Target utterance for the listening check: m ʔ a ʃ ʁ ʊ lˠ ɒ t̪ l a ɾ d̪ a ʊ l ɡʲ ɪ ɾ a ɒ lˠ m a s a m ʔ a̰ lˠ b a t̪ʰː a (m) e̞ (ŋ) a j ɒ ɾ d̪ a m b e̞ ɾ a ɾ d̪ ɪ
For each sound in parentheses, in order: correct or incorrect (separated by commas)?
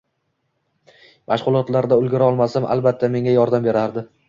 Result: correct, correct